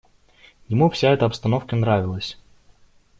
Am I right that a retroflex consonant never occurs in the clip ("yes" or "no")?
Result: yes